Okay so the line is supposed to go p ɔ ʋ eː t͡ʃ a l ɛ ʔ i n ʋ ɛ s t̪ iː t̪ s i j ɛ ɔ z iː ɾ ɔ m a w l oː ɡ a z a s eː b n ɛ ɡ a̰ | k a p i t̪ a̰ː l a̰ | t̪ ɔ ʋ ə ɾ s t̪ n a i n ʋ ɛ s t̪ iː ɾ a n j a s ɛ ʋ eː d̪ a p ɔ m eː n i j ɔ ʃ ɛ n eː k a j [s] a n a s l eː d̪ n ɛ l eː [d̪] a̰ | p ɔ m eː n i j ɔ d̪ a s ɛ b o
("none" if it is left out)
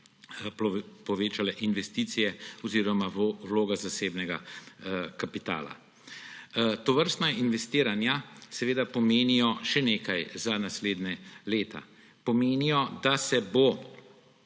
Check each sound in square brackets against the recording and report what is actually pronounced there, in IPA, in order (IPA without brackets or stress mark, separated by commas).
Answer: z, t̪